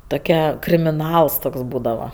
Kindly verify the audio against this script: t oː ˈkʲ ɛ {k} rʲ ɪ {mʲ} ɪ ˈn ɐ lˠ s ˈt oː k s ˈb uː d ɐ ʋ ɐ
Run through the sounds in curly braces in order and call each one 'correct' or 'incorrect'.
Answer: correct, correct

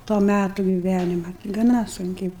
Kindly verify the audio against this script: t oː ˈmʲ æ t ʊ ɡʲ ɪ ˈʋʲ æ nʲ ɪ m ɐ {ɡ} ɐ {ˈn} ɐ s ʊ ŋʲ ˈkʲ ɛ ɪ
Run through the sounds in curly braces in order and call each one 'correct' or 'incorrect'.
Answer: correct, correct

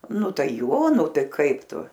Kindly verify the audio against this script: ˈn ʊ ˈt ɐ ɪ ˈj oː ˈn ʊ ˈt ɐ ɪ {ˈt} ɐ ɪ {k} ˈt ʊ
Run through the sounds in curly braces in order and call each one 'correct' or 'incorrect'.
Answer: incorrect, incorrect

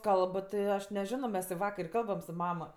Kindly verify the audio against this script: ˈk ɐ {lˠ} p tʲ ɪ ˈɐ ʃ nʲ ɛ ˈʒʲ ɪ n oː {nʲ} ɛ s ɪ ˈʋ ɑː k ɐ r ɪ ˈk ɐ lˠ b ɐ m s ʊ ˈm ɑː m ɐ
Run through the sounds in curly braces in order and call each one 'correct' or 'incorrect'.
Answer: correct, incorrect

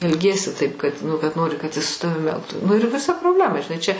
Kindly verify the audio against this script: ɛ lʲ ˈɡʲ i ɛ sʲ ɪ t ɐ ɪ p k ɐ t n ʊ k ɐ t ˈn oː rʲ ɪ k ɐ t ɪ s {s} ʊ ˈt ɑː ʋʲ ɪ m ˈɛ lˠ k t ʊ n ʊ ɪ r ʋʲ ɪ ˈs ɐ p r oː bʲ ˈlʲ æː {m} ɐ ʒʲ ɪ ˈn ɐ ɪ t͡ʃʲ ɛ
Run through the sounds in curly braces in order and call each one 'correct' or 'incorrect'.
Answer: correct, correct

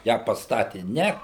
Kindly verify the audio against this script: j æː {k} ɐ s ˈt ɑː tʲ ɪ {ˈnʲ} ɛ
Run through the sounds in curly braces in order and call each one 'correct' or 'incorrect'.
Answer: incorrect, correct

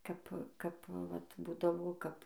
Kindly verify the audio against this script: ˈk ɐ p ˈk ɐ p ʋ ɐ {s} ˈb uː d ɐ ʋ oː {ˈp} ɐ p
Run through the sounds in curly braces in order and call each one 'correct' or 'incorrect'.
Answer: incorrect, incorrect

